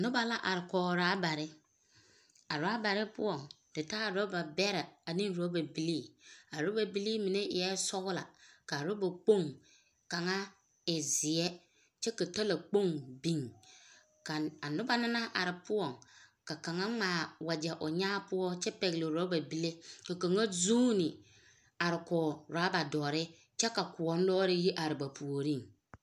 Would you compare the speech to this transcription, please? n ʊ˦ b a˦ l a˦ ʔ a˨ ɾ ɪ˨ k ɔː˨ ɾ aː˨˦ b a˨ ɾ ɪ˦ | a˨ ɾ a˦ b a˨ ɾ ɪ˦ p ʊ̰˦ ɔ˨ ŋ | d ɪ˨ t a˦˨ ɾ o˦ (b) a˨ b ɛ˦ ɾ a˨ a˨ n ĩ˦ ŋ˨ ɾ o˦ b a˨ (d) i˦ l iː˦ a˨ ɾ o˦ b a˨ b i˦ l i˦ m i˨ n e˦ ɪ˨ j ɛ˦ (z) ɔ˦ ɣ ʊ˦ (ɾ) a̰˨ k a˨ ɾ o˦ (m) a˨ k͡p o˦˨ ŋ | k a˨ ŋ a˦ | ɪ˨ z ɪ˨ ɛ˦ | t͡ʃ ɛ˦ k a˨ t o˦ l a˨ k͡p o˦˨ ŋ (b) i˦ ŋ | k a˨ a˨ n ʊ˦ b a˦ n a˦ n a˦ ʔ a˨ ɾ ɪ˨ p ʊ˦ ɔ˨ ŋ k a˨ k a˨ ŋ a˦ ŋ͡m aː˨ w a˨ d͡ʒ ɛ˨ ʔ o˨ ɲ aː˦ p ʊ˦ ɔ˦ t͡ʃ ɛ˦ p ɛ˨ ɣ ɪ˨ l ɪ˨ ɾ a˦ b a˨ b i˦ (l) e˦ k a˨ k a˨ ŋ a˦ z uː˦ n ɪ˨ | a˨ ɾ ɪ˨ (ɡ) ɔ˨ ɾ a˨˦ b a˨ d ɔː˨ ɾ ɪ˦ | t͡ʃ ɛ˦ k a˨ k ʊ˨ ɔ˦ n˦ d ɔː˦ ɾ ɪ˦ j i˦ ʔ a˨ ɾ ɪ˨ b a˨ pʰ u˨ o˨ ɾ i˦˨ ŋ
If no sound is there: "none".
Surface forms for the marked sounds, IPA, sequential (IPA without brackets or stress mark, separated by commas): b, b, s, l, b, b, l, k